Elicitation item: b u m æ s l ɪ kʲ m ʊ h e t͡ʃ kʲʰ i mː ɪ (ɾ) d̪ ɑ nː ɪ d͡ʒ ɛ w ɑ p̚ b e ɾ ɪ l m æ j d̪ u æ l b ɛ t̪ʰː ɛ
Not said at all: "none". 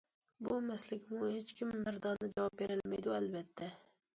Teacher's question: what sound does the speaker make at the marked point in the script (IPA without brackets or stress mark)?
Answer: ɾ